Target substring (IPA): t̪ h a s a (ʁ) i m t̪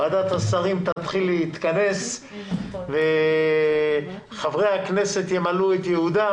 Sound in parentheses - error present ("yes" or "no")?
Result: no